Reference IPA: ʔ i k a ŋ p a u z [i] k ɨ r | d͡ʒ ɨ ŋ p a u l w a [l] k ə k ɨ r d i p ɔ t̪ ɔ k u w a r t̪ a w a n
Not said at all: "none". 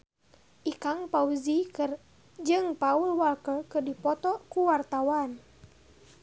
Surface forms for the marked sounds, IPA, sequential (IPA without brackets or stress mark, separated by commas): i, l